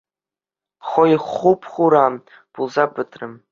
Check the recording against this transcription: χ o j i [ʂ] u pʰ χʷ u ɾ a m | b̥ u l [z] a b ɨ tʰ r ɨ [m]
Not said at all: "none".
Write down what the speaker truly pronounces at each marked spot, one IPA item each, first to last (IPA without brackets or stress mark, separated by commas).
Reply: χ, z, m